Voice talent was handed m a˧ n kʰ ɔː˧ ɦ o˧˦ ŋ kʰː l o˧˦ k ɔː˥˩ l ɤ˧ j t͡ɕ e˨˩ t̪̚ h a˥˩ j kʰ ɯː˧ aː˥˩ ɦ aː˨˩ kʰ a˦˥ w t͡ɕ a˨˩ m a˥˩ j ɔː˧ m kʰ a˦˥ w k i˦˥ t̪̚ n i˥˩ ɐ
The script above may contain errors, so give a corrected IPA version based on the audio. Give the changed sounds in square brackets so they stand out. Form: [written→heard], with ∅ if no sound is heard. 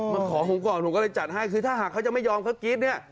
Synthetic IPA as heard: m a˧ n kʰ [ɔː˧→ɔː˩˦] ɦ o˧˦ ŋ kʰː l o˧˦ k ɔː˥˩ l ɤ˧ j t͡ɕ [e˨˩→a˨˩] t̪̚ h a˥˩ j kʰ ɯː˧ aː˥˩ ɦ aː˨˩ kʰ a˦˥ w t͡ɕ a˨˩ m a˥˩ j ɔː˧ m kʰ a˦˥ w k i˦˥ t̪̚ n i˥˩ ɐ